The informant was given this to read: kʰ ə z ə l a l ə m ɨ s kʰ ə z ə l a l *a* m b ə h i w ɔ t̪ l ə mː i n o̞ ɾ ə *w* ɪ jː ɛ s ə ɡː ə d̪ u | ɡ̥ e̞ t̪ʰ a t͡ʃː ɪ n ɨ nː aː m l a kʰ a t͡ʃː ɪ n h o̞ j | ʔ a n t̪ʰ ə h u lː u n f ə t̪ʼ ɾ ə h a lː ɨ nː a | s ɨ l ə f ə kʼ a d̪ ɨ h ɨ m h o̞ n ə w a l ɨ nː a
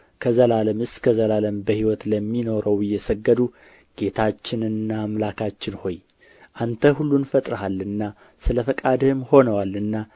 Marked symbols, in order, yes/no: no, yes

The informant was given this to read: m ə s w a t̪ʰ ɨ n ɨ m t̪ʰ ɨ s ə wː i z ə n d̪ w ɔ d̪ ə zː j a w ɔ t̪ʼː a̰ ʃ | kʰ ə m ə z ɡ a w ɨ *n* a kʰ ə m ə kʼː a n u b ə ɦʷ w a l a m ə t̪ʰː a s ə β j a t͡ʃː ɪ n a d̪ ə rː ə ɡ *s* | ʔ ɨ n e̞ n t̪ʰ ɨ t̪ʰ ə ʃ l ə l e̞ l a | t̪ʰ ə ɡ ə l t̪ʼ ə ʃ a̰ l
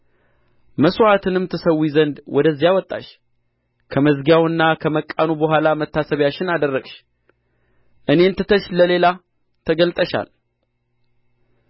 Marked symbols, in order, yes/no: no, no

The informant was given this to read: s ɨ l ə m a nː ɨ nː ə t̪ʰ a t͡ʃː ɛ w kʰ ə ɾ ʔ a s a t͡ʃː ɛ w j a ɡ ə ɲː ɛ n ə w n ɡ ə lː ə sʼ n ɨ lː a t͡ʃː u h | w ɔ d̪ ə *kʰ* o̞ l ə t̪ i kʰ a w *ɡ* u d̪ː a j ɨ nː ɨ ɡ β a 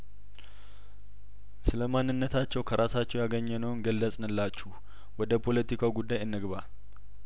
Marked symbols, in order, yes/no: no, yes

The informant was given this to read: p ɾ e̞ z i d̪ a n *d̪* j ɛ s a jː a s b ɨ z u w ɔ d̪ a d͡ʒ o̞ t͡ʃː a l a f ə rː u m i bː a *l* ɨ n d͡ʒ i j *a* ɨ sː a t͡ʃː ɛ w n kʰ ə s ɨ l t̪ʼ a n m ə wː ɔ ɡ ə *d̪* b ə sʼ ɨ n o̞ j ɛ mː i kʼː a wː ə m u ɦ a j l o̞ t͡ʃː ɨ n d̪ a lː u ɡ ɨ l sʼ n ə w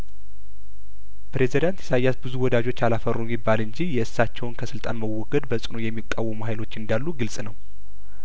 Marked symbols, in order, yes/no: no, yes, no, yes

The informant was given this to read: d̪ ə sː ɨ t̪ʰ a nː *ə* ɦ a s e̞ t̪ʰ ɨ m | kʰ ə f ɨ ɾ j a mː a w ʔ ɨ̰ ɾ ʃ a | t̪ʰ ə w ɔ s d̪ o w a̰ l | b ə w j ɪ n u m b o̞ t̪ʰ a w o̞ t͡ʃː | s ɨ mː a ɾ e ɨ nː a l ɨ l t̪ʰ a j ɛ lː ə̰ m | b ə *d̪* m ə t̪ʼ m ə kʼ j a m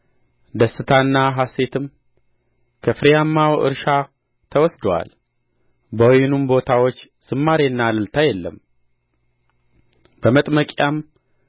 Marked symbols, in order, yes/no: no, no

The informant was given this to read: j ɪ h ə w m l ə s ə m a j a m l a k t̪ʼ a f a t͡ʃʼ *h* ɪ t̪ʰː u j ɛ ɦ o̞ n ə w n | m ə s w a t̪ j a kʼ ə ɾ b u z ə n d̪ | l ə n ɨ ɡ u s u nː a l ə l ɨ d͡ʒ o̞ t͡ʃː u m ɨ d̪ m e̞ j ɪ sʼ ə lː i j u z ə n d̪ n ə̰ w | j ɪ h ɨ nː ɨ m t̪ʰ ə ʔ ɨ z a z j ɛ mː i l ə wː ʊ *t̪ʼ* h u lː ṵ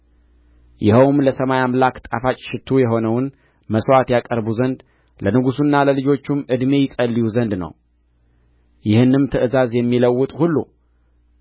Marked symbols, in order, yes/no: no, yes

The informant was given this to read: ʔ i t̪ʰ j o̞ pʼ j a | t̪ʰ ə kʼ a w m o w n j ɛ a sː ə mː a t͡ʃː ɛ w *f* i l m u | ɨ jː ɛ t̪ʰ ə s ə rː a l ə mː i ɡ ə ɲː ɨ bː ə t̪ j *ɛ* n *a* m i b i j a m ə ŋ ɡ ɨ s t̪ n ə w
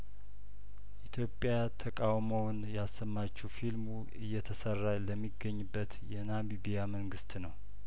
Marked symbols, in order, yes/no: yes, yes, yes

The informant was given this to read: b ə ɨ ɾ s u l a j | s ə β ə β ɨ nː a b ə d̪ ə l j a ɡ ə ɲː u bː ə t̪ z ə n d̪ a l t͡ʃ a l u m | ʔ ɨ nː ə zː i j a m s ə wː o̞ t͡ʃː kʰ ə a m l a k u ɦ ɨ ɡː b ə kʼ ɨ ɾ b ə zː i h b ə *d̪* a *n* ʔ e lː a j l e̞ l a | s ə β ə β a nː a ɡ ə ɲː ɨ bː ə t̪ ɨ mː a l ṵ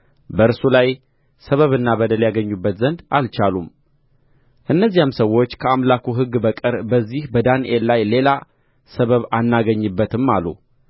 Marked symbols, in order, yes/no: yes, yes

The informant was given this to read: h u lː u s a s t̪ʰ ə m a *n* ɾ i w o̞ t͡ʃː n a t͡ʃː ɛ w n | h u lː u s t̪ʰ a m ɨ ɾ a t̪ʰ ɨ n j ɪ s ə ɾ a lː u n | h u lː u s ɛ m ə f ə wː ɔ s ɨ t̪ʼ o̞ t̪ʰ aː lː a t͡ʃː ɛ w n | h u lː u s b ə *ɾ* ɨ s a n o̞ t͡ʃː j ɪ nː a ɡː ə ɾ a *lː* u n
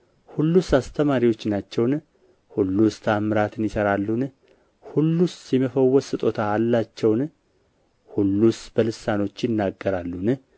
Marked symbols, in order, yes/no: no, no, yes

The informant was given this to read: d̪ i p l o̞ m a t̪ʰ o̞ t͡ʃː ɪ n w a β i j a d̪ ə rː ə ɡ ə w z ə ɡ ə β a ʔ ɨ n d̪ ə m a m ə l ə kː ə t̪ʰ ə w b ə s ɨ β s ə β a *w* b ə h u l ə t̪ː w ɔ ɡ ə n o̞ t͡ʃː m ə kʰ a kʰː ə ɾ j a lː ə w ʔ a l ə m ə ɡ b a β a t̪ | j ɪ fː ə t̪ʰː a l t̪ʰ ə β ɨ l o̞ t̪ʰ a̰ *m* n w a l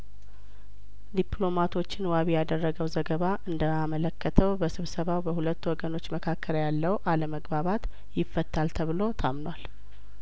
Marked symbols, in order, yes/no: yes, yes

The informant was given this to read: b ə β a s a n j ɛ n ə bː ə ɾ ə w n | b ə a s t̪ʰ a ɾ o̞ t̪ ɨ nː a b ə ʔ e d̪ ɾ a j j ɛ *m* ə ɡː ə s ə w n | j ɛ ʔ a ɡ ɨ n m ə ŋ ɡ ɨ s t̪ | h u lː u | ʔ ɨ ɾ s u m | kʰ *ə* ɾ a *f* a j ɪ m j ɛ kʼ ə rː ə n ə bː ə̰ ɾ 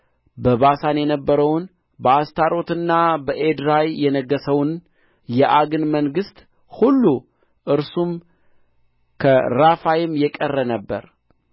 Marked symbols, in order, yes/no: no, yes, yes

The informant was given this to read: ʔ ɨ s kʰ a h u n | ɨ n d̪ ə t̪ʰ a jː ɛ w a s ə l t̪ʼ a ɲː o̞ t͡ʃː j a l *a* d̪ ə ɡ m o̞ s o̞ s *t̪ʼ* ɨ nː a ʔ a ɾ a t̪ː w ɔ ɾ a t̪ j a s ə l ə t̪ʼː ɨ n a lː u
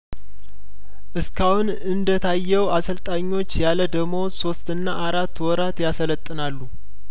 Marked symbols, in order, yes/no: no, no

